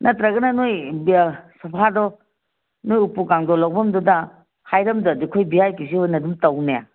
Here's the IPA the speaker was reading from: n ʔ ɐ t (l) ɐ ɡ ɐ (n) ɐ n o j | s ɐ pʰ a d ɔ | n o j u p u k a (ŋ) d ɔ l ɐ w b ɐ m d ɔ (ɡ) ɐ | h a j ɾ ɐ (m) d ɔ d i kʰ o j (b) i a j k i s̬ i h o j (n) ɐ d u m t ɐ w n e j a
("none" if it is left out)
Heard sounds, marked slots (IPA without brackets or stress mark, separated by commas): ɾ, n, ŋ, d, m, b, n